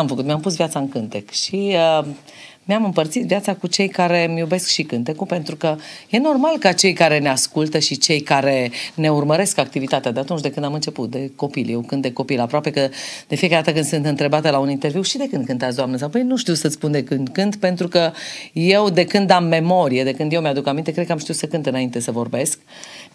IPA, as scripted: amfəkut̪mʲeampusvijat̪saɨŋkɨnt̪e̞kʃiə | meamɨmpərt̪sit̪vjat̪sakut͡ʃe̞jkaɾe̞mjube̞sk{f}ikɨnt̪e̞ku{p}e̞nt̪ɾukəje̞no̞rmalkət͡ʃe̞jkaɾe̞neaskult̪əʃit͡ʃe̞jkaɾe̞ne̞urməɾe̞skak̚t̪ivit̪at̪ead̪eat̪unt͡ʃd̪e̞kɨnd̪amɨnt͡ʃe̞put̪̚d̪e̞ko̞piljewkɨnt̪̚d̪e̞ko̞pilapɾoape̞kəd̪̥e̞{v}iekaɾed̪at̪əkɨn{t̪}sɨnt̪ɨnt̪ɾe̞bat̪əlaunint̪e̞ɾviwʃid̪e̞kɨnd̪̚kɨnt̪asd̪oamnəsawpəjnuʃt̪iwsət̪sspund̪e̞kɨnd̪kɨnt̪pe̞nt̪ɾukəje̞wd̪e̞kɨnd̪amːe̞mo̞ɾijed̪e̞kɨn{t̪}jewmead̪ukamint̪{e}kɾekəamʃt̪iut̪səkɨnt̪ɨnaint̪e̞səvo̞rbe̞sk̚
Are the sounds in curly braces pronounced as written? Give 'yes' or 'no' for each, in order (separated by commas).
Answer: no, yes, no, no, no, yes